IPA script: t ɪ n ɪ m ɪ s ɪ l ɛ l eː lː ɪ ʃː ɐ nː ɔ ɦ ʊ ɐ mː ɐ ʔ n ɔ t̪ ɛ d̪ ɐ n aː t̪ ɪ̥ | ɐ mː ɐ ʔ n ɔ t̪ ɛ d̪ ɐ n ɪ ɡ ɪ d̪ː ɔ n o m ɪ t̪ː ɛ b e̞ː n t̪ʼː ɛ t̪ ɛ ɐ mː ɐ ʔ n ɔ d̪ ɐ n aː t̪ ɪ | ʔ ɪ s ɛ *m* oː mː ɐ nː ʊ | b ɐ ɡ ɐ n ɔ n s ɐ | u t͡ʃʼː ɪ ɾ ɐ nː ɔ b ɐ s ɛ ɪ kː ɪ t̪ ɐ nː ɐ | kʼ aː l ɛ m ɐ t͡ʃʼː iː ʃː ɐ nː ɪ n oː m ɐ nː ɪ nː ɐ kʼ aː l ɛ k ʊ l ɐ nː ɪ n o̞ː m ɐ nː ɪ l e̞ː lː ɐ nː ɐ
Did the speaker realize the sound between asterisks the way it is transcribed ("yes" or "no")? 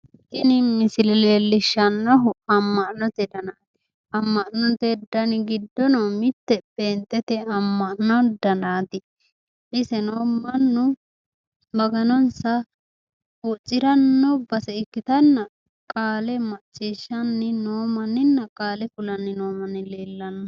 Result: no